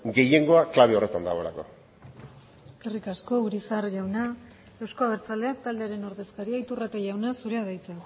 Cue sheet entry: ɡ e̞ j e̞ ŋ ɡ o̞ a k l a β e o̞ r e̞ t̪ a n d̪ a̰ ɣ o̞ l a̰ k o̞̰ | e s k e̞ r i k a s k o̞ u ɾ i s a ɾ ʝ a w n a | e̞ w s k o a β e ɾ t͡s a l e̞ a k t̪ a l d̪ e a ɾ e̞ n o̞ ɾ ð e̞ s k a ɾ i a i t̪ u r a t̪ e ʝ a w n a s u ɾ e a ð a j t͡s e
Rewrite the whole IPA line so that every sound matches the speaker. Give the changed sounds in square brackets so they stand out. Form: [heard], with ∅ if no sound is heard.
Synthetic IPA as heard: ɡ e̞ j e̞ ŋ ɡ o̞ a k l a β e o̞ r e̞ t̪ a n d̪ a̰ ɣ o̞ l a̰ k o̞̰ | e s k e̞ r i k a s k o̞ u ɾ i s a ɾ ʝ a w n a | e̞ w s k o a β e ɾ t͡s a l e̞ a k t̪ a l d̪ e a ɾ e̞ n o̞ ɾ ð e̞ s k a ɾ i a i t̪ u r a t̪ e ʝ a w n a s u ɾ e a ð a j t͡s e

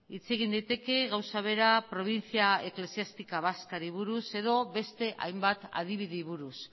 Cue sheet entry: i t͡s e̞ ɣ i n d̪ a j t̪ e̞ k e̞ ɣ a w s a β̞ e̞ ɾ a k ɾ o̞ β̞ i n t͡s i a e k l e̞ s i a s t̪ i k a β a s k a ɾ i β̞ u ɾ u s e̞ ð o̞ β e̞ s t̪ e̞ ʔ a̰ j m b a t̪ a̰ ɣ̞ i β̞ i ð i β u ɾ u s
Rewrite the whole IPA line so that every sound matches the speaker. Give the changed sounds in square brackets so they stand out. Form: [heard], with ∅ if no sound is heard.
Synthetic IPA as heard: i t͡s e̞ ɣ i n d̪ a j t̪ e̞ k e̞ ɣ a w s a β̞ e̞ ɾ a [p] ɾ o̞ β̞ i n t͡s i a e k l e̞ s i a s t̪ i k a β a s k a ɾ i β̞ u ɾ u s e̞ ð o̞ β e̞ s t̪ e̞ ʔ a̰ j m b a t̪ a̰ [ð̞] i β̞ i ð i β u ɾ u s

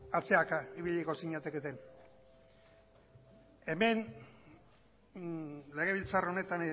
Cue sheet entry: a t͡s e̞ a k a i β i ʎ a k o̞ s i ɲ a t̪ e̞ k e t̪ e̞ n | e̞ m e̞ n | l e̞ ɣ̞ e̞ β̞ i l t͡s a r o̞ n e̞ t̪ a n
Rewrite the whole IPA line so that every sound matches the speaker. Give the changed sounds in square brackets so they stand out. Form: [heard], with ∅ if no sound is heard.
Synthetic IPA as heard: a t͡s e̞ a k a i β i ʎ [i] k o̞ s i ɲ a t̪ e̞ k e t̪ e̞ n | e̞ m e̞ n | l e̞ ɣ̞ e̞ β̞ i l t͡s a r o̞ n e̞ t̪ a n

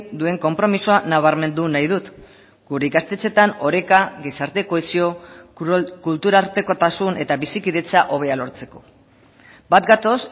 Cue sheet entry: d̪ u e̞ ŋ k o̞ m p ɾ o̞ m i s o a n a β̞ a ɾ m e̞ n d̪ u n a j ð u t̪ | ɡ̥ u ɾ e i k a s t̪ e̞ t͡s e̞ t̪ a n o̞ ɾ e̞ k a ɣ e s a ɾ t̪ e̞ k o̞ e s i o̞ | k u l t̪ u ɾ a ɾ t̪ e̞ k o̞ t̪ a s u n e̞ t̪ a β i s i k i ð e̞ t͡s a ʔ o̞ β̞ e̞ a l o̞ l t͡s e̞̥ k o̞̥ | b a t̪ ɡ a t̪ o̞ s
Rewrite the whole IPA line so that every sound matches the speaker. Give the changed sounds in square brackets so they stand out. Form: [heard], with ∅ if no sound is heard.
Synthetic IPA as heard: d̪ u e̞ ŋ k o̞ m p ɾ o̞ m i s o a n a β̞ a ɾ m e̞ n d̪ u n a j ð u t̪ | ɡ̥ u ɾ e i k a s t̪ e̞ t͡s e̞ t̪ a n o̞ ɾ e̞ k a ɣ e s a ɾ t̪ e̞ k o̞ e s i o̞ | k u l t̪ u ɾ a ɾ t̪ e̞ k o̞ t̪ a s u n e̞ t̪ a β i s i k i ð e̞ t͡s a ʔ o̞ β̞ e̞ a l o̞ [ɾ] t͡s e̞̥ k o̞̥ | b a t̪ ɡ a t̪ o̞ s

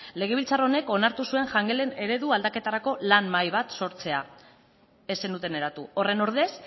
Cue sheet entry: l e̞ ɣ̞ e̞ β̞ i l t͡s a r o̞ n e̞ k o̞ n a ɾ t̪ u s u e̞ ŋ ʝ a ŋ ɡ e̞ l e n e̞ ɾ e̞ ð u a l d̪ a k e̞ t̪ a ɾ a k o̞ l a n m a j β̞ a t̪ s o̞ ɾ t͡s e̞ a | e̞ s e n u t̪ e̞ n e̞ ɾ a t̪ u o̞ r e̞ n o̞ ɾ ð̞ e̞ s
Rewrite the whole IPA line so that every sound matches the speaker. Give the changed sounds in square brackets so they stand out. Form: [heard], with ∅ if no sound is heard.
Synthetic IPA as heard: l e̞ ɣ̞ e̞ β̞ i l t͡s a r o̞ n e̞ k o̞ n a ɾ t̪ u s u e̞ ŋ ʝ a ŋ ɡ e̞ l e n e̞ ɾ e̞ ð u a l d̪ a k e̞ t̪ a ɾ a k o̞ l a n m a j β̞ a t̪ s o̞ ɾ t͡s e̞ a | e̞ s e n u t̪ e̞ n e̞ ɾ a t̪ u o̞ r e̞ n o̞ ɾ ð̞ e̞ s

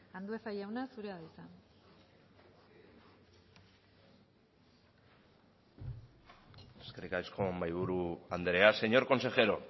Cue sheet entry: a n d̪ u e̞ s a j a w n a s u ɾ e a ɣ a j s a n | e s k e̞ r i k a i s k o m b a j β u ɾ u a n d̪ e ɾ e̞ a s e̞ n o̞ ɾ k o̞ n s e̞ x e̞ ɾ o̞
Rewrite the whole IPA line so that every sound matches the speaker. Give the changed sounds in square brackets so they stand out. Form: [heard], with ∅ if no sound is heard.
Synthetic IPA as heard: a n d̪ u e̞ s a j a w n a s u ɾ e a [ð] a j s a n | e s k e̞ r i k a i s k o m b a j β u ɾ u a n d̪ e ɾ e̞ a s e̞ [ɲ] o̞ ɾ k o̞ n s e̞ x e̞ ɾ o̞

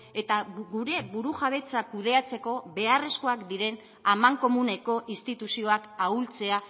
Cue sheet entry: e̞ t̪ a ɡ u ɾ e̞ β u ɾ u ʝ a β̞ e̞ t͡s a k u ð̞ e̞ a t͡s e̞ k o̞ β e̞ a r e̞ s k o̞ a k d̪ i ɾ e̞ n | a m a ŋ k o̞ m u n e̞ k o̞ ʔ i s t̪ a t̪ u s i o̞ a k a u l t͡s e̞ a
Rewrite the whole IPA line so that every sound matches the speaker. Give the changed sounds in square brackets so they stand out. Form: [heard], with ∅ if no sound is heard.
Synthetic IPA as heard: e̞ t̪ a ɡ u ɾ e̞ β u ɾ u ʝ a β̞ e̞ t͡s a k u ð̞ e̞ a t͡s e̞ k o̞ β e̞ a r e̞ s k o̞ a k d̪ i ɾ e̞ n | a m a ŋ k o̞ m u n e̞ k o̞ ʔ i s t̪ [i] t̪ u s i o̞ a k a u l t͡s e̞ a

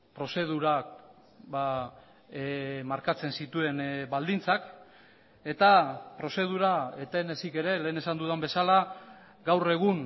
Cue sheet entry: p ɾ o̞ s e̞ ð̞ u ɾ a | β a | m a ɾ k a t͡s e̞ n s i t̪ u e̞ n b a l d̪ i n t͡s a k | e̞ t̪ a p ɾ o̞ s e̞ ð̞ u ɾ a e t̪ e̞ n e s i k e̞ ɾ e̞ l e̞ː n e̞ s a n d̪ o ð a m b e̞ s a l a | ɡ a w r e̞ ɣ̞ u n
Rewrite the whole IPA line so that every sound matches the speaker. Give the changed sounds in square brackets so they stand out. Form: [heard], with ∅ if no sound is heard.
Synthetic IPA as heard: p ɾ o̞ s e̞ ð̞ u ɾ a | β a | m a ɾ k a t͡s e̞ n s i t̪ u e̞ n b a l d̪ i n t͡s a k | e̞ t̪ a p ɾ o̞ s e̞ ð̞ u ɾ a e t̪ e̞ n e s i k e̞ ɾ e̞ l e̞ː n e̞ s a n d̪ [u] ð a m b e̞ s a l a | ɡ a w r e̞ ɣ̞ u n

